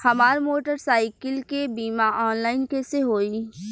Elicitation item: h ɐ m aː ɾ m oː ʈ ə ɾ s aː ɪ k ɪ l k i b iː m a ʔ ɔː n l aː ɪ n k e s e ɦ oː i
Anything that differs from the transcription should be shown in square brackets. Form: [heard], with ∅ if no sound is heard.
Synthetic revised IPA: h ɐ m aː ɾ m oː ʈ ə ɾ s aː ɪ k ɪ l k [e] b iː m a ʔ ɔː n l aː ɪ n k e s e ɦ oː i